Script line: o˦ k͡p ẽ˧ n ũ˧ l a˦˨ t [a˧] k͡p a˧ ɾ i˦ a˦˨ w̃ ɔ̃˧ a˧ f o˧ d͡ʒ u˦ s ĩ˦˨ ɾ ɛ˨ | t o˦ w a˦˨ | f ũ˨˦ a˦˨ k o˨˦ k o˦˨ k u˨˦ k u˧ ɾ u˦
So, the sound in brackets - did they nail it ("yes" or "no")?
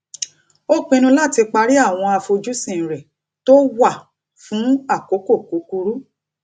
no